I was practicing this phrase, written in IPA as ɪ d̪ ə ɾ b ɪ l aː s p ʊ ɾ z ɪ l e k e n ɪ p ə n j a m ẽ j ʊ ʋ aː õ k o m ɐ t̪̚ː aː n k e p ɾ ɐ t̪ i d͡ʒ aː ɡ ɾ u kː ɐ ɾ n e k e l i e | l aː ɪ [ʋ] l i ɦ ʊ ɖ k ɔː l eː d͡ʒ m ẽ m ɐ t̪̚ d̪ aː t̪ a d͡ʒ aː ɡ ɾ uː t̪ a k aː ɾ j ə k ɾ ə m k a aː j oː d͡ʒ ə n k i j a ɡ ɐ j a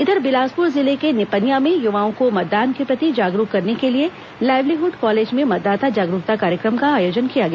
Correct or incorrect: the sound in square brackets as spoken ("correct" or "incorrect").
correct